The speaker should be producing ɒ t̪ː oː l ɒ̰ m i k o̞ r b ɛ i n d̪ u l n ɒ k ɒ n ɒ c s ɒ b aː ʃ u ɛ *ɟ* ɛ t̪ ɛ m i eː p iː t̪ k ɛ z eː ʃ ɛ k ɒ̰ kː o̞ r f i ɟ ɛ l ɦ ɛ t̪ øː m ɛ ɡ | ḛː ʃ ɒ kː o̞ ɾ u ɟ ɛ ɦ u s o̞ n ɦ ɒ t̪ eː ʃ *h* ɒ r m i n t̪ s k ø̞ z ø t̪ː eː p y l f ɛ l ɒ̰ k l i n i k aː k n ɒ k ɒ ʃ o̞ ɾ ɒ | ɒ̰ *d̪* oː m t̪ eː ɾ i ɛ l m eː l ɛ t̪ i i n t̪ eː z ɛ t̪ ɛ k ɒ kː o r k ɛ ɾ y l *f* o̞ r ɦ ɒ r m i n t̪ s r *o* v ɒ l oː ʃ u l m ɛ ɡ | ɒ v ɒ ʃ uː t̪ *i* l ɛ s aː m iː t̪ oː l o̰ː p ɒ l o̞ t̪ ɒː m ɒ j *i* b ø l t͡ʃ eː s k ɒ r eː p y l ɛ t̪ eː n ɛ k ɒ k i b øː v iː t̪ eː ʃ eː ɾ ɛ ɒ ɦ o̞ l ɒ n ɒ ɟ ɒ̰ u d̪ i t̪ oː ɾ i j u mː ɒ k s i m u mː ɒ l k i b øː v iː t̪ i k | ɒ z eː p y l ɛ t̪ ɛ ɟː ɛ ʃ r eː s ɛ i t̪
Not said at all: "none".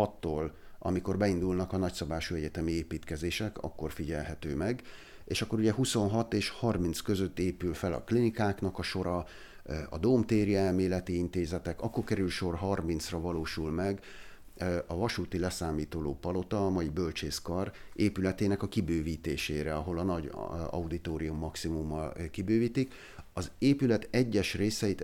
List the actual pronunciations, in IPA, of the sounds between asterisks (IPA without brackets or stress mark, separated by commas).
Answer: ɟ, h, d̪, ʃ, ɒ, i, i